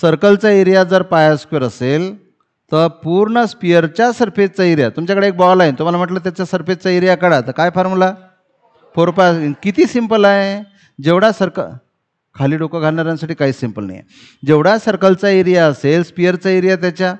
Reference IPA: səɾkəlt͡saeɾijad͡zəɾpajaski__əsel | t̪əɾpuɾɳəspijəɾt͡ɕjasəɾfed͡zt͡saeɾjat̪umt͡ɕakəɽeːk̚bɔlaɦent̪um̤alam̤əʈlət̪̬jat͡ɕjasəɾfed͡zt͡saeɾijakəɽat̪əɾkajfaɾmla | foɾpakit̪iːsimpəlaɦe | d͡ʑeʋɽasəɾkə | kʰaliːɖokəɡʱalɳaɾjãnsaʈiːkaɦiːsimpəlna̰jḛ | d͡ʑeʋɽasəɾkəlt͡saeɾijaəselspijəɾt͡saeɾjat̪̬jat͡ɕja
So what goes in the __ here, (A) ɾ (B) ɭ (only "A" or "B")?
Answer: A